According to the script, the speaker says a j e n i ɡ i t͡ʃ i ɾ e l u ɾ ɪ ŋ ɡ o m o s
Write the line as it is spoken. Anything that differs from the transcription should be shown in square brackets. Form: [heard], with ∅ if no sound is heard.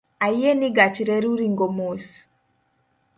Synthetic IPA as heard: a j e n i ɡ [a] t͡ʃ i ɾ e [ɾ] u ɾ [i] ŋ ɡ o m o s